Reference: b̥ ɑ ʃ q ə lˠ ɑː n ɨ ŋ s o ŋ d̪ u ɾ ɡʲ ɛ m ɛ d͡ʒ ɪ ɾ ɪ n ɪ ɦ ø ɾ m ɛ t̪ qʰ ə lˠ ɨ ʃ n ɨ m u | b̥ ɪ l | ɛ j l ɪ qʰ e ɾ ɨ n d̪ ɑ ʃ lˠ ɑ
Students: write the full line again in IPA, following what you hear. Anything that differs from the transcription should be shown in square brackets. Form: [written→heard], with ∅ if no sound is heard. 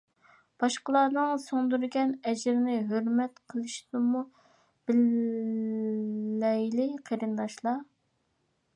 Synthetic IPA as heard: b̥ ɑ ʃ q ə lˠ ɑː n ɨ ŋ s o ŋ d̪ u ɾ ɡʲ ɛ [m→n] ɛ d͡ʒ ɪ ɾ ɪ n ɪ ɦ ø ɾ m ɛ t̪ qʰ ə lˠ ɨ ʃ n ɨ m u | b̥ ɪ l | ɛ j l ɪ qʰ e ɾ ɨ n d̪ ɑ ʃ lˠ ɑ